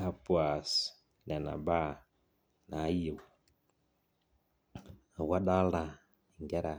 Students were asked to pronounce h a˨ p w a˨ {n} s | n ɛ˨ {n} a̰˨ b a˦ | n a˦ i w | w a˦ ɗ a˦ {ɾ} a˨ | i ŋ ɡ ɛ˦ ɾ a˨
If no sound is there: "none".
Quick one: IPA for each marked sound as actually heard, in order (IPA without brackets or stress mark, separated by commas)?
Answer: none, n, l